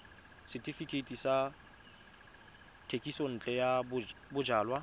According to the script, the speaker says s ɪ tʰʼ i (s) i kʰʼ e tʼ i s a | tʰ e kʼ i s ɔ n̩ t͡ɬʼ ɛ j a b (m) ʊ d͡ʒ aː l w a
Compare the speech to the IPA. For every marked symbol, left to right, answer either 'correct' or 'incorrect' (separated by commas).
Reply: incorrect, incorrect